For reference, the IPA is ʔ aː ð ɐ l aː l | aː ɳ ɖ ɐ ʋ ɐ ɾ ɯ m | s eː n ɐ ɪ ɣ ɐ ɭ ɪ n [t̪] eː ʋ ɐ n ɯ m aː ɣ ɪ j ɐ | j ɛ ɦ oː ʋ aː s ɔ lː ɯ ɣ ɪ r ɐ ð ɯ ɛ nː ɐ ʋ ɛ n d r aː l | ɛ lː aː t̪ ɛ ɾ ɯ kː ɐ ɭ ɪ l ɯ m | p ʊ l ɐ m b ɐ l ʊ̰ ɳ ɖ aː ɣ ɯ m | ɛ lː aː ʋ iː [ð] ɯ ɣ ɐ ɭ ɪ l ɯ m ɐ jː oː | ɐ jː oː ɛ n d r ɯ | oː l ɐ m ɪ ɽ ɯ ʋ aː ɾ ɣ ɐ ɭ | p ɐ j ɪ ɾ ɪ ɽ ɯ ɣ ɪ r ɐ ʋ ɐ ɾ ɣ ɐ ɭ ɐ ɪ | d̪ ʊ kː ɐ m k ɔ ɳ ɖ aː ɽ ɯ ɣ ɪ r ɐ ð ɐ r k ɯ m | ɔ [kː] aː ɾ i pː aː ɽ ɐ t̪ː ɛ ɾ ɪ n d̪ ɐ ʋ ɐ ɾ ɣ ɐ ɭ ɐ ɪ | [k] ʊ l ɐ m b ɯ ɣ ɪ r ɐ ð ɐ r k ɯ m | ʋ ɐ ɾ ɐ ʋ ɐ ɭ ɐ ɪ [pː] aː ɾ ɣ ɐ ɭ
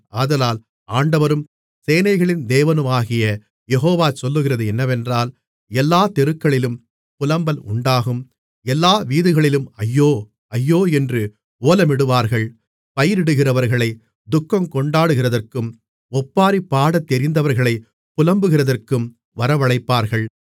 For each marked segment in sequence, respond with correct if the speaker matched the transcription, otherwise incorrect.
incorrect, correct, incorrect, incorrect, correct

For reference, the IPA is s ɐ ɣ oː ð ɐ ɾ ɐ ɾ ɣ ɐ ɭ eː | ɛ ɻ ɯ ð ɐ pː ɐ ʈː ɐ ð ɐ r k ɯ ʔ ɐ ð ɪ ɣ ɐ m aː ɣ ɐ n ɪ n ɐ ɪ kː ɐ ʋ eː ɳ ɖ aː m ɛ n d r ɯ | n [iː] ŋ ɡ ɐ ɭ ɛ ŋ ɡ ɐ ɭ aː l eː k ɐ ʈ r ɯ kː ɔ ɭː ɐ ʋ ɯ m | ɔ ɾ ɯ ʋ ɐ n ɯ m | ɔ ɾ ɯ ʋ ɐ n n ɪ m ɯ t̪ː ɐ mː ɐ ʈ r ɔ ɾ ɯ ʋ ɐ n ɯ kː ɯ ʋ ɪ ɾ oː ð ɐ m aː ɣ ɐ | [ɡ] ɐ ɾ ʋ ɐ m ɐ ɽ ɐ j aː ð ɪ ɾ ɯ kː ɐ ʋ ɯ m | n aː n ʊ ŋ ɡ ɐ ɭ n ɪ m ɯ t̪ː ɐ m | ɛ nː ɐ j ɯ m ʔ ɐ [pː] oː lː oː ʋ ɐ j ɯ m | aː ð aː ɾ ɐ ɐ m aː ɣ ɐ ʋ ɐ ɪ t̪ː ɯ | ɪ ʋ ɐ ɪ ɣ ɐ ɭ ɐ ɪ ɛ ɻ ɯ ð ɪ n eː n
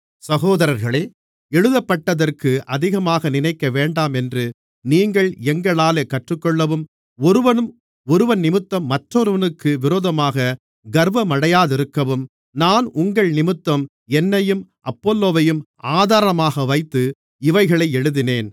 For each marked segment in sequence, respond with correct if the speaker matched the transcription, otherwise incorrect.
correct, correct, correct

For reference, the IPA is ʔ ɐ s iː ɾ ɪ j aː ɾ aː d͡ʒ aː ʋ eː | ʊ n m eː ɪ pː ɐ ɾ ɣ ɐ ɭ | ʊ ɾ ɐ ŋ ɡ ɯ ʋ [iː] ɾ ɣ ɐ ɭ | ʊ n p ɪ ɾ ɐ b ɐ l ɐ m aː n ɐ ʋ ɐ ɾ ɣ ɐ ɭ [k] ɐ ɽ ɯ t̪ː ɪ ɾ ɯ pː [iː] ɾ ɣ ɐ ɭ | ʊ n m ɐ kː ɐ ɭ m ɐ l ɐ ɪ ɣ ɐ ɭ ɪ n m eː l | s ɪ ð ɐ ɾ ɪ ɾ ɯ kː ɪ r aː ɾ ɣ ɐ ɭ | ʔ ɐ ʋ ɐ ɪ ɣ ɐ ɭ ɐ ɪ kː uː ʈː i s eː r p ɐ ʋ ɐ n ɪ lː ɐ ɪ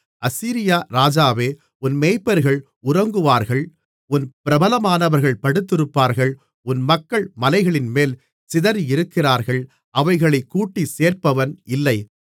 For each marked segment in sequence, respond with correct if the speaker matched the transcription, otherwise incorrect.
incorrect, incorrect, incorrect

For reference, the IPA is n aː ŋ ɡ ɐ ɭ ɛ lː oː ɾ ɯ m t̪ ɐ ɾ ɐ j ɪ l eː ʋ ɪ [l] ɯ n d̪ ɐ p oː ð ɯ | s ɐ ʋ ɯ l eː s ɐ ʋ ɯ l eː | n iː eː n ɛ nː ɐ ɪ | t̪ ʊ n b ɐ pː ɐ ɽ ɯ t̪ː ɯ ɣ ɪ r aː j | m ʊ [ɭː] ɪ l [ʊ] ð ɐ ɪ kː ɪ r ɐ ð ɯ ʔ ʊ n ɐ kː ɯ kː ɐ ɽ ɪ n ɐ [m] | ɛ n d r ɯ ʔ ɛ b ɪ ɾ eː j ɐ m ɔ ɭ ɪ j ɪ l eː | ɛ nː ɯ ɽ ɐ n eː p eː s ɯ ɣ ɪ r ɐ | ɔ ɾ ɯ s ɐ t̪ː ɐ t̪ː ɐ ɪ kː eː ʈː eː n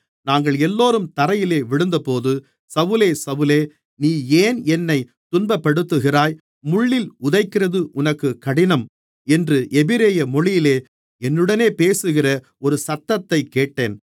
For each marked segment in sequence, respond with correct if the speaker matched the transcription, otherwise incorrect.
incorrect, correct, correct, correct

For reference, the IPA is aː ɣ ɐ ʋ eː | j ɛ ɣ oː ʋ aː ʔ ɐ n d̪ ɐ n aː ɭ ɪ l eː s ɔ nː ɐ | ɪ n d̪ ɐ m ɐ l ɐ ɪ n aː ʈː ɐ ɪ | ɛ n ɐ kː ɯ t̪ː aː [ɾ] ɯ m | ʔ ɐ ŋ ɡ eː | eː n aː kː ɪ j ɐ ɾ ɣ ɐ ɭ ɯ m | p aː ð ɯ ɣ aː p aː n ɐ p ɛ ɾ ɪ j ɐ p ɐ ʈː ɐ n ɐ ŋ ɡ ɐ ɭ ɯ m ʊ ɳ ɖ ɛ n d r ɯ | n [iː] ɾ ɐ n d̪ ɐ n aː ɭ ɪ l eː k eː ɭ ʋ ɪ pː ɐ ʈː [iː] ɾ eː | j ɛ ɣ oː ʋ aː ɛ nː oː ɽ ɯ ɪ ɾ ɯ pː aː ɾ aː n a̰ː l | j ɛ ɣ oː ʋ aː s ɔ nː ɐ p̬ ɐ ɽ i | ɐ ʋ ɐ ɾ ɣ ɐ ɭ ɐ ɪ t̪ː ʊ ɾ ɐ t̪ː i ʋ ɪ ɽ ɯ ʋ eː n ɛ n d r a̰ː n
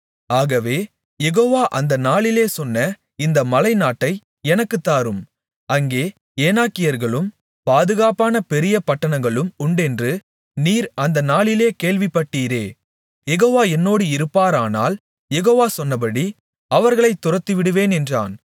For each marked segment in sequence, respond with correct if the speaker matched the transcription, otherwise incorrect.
correct, correct, correct

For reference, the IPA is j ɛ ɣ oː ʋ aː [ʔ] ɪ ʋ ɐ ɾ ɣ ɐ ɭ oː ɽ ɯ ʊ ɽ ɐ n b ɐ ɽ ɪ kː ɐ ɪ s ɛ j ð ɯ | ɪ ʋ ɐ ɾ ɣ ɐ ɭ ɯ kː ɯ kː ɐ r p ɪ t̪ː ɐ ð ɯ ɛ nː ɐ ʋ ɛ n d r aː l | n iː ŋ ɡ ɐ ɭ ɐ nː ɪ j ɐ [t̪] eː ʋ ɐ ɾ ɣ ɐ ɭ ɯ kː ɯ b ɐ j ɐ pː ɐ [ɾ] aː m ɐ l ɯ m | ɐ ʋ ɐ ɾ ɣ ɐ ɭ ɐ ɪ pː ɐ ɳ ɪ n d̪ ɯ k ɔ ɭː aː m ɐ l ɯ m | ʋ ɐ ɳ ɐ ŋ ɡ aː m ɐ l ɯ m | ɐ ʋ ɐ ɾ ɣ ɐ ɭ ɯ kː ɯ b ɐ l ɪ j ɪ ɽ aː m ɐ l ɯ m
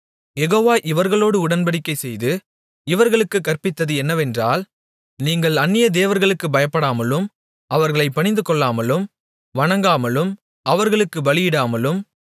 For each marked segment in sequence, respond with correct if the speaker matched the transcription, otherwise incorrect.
correct, incorrect, incorrect

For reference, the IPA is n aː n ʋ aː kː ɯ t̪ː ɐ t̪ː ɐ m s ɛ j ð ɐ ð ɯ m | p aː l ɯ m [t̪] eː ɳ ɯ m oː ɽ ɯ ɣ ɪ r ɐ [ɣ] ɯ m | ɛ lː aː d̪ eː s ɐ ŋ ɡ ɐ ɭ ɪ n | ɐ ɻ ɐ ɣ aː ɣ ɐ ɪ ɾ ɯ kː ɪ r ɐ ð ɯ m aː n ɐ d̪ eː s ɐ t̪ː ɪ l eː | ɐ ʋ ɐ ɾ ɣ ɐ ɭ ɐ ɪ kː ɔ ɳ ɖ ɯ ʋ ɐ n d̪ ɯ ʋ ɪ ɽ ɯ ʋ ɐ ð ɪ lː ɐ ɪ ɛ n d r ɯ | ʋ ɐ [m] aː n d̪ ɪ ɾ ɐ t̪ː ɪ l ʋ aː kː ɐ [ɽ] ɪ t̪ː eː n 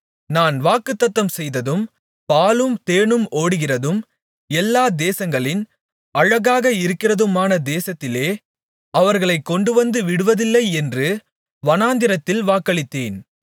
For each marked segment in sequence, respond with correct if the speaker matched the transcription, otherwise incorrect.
correct, incorrect, incorrect, incorrect

